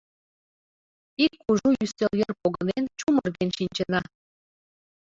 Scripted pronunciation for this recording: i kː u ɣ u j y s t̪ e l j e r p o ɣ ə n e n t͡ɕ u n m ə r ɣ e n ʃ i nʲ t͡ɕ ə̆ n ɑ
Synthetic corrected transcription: i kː u ʒ u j y s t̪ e l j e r p o ɣ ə n e n t͡ɕ u m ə r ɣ e n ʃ i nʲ t͡ɕ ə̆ n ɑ